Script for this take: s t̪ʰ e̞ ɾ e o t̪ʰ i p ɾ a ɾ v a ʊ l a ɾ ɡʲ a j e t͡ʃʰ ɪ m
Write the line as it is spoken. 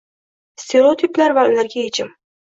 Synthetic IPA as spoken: s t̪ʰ e̞ ɾ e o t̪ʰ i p l a ɾ v a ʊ l a ɾ ɡʲ a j e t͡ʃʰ ɪ m